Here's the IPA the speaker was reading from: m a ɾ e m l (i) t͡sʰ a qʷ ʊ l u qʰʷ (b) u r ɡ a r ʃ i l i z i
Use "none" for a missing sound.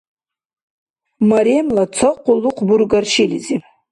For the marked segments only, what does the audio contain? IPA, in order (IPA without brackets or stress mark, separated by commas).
a, b